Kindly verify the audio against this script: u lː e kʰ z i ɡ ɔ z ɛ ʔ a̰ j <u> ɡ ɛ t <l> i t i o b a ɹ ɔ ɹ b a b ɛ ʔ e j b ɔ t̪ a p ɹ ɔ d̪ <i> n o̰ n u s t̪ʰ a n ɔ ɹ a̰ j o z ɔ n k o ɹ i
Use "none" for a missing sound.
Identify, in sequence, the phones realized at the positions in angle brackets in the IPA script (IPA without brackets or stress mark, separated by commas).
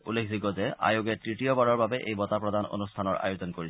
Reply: o, ɹ, a